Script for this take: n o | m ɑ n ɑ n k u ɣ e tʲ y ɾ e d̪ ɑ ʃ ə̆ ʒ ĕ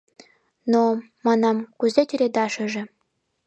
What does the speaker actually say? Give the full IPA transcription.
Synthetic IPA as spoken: n o | m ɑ n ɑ m k u z e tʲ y ɾ e d̪ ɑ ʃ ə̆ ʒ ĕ